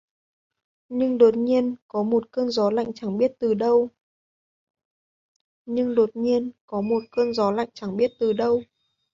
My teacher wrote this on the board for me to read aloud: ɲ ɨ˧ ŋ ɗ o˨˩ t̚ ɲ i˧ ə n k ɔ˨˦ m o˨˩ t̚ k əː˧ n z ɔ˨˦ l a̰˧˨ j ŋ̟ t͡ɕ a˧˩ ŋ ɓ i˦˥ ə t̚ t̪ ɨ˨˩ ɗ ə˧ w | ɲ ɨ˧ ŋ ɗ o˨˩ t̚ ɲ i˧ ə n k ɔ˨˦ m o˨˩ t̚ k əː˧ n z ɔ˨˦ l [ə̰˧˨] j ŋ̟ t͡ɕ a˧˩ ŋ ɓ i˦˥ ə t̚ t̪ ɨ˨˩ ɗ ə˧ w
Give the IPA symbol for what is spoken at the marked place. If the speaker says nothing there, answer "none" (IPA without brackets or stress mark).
a̰˧˨